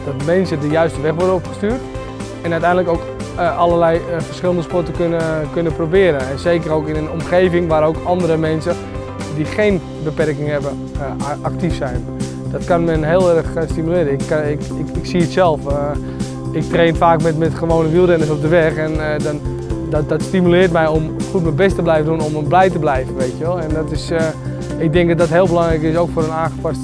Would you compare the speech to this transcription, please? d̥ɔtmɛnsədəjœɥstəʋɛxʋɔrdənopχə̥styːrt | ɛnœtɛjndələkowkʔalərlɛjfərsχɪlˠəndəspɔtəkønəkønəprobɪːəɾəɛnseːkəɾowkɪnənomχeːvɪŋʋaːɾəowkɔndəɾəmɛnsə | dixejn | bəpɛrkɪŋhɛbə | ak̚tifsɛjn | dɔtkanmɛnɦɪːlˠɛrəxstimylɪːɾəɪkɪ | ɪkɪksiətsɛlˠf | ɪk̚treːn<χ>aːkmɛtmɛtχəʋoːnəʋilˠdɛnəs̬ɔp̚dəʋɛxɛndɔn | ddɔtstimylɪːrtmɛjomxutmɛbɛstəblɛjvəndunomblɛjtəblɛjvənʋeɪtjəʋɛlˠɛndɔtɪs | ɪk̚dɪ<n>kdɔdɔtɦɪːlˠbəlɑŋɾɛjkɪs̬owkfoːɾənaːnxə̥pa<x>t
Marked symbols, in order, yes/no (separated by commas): no, no, no